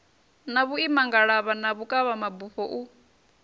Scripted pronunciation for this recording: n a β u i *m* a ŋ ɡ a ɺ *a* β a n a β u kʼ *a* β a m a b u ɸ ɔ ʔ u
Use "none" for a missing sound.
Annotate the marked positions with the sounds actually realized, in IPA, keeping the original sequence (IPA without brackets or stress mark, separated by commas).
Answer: m, a, a